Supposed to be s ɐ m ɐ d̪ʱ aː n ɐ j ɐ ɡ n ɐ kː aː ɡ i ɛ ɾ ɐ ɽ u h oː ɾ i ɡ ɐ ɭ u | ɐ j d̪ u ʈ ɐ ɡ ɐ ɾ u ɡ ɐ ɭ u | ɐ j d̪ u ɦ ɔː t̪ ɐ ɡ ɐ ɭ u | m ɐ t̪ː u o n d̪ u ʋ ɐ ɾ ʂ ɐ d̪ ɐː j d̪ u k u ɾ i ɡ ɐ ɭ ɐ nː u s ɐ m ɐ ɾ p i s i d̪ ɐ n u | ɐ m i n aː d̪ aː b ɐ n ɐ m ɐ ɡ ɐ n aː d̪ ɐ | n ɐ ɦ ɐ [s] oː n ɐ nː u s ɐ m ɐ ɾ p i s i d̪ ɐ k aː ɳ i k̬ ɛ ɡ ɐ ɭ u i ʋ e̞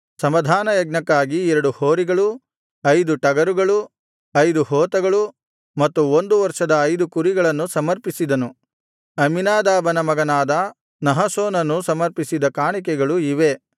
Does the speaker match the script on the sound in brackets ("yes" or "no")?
yes